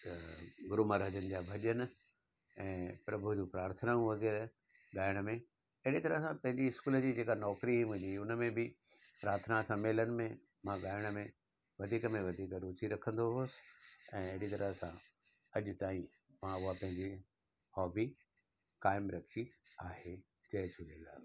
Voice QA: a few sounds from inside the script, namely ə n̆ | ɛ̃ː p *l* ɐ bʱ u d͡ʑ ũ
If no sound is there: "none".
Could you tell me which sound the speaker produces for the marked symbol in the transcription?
ɾ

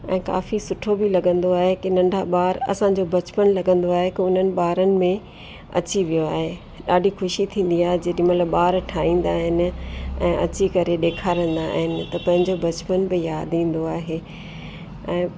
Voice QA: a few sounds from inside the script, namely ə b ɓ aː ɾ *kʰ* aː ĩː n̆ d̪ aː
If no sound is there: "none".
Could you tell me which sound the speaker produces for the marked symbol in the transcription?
ʈʰ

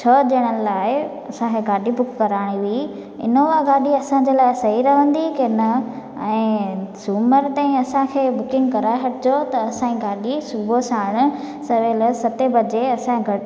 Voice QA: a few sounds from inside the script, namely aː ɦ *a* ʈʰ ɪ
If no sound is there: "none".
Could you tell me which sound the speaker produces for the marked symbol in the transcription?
ɐ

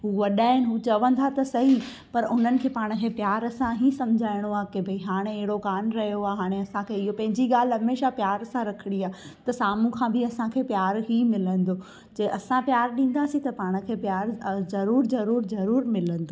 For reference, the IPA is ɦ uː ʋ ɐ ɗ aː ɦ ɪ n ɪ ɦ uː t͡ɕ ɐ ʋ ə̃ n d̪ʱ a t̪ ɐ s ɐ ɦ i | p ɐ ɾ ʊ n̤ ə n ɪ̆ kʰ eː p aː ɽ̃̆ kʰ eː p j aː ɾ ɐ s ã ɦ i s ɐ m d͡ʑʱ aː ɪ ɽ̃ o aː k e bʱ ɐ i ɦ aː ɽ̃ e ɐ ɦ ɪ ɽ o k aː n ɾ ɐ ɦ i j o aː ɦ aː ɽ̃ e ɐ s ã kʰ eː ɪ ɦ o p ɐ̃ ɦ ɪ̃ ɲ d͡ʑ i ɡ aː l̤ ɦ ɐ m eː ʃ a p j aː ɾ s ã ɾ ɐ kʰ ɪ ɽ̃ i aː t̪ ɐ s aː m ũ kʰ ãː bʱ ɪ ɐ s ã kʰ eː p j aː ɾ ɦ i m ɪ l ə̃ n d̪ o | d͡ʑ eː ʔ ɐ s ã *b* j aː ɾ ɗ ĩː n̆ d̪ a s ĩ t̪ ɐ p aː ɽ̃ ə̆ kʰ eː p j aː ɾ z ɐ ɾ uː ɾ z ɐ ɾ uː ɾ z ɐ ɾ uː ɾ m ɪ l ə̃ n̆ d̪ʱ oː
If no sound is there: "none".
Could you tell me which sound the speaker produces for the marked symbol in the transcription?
p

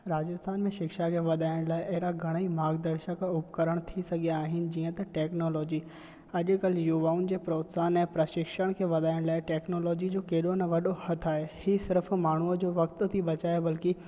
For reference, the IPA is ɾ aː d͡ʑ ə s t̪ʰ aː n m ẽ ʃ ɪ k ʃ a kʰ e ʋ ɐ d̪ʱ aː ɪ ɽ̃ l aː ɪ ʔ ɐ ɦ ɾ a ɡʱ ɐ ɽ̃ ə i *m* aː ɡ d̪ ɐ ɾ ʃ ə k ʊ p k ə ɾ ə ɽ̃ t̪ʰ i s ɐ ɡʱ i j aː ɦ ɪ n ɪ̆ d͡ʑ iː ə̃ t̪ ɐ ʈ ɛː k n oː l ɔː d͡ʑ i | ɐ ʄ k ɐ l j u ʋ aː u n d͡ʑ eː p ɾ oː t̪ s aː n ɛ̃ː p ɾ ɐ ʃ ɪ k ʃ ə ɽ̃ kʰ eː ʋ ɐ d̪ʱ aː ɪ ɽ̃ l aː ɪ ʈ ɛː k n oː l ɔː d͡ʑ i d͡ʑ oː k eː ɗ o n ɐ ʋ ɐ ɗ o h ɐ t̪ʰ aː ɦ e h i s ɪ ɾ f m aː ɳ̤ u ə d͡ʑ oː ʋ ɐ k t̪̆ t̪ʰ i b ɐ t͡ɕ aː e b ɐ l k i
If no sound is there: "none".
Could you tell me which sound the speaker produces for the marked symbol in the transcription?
m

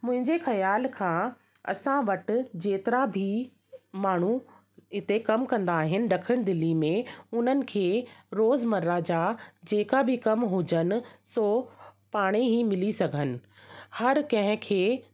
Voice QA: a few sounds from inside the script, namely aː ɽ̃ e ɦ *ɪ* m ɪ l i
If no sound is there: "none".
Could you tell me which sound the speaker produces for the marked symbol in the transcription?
i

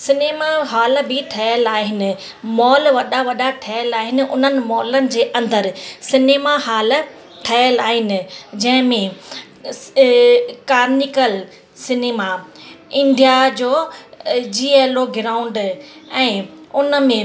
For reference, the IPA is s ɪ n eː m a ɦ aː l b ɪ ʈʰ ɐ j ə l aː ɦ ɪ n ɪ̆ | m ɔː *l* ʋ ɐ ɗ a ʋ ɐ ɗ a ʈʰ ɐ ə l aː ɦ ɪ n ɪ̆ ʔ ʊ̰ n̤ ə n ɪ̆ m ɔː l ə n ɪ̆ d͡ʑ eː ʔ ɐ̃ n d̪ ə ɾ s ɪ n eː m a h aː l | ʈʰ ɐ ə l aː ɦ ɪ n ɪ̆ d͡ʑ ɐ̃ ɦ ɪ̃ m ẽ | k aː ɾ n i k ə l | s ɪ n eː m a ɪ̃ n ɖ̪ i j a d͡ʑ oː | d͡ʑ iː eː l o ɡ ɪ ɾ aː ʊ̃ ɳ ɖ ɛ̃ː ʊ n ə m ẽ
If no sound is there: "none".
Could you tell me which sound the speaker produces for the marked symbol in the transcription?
l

